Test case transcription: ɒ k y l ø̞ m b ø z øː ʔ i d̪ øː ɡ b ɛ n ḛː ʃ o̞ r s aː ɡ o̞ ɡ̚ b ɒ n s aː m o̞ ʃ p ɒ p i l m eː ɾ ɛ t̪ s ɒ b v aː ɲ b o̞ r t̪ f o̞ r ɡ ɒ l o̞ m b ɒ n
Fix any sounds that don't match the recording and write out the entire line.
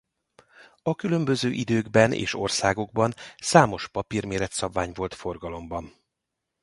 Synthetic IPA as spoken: ɒ k y l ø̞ m b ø z øː ʔ i d̪ øː ɡ b ɛ n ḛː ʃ o̞ r s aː ɡ o̞ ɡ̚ b ɒ n s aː m o̞ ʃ p ɒ p i r m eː ɾ ɛ t̪ s ɒ b v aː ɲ v o̞ l t̪ f o̞ r ɡ ɒ l o̞ m b ɒ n